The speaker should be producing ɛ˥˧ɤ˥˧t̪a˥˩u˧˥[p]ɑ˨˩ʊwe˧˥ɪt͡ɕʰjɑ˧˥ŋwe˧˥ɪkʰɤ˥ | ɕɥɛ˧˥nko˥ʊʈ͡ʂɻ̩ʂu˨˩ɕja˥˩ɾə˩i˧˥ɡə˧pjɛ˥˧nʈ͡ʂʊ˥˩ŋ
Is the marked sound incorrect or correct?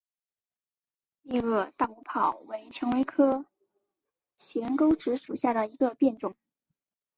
incorrect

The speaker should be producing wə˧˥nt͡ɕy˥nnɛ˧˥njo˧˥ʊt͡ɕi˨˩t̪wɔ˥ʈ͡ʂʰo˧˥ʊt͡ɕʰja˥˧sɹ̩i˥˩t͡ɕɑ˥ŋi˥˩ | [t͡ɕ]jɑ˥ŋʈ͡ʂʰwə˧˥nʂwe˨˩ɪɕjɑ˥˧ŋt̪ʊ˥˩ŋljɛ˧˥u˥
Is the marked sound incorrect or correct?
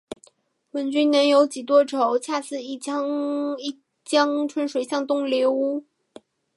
correct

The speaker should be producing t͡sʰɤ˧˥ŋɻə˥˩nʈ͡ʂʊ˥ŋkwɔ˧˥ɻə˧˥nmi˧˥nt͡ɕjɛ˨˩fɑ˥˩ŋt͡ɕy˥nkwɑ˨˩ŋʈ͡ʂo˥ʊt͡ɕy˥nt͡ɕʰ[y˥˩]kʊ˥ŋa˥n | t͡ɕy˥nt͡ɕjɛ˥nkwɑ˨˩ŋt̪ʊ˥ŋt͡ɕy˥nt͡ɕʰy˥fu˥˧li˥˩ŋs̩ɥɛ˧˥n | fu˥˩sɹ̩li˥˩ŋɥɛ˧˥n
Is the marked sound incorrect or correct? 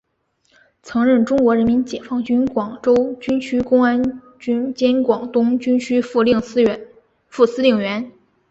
incorrect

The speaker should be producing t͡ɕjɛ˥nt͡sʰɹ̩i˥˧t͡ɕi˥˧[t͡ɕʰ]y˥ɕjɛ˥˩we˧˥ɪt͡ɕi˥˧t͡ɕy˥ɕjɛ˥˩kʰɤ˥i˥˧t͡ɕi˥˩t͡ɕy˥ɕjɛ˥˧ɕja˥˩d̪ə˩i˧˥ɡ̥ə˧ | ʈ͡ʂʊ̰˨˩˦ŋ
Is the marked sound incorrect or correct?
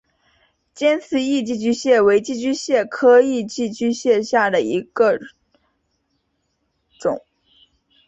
incorrect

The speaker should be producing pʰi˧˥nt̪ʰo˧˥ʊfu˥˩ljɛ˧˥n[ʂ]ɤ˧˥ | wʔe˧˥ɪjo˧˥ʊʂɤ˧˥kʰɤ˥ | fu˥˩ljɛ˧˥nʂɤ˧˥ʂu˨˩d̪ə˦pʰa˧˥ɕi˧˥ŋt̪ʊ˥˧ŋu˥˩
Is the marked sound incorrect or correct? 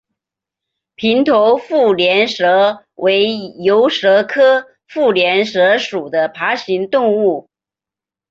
correct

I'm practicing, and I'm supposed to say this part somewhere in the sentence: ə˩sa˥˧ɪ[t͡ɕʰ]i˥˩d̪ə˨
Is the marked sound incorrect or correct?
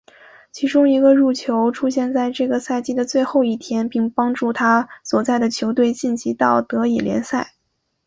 incorrect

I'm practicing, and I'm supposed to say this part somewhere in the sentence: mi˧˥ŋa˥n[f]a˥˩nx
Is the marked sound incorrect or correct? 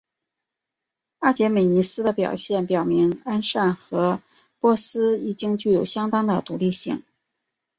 incorrect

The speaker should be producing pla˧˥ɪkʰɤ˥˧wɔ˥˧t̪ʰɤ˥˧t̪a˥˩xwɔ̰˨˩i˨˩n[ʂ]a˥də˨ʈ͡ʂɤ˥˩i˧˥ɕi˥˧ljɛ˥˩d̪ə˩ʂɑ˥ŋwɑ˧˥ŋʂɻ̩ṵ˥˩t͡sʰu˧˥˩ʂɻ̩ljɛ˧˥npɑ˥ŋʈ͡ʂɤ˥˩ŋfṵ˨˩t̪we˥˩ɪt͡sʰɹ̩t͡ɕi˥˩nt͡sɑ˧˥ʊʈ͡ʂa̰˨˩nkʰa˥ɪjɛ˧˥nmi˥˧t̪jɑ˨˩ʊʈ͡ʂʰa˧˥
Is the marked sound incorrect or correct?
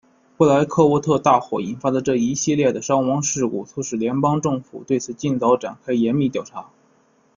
incorrect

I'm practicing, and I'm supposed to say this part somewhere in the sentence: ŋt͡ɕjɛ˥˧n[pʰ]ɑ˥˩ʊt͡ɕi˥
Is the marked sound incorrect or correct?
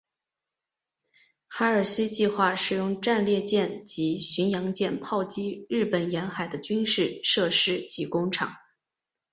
correct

